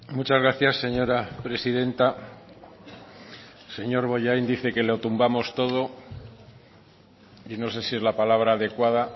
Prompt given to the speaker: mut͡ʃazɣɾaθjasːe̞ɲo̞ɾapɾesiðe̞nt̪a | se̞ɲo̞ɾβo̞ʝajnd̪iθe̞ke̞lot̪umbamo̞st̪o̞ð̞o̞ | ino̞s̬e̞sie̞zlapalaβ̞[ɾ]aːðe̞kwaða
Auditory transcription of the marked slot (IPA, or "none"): ɾ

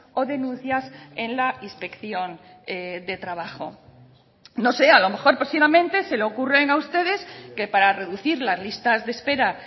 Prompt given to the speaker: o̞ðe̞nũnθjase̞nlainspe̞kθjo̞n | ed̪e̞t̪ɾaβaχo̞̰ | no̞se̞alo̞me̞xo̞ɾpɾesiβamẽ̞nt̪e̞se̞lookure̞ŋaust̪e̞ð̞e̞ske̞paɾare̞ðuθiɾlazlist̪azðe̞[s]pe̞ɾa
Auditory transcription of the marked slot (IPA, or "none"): s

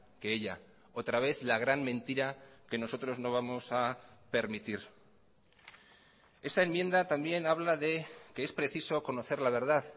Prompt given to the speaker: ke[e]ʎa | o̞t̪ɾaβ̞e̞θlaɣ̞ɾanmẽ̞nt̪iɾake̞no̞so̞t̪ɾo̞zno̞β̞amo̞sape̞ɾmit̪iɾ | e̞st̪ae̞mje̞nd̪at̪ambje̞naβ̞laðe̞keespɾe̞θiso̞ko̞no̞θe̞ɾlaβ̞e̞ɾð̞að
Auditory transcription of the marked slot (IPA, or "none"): e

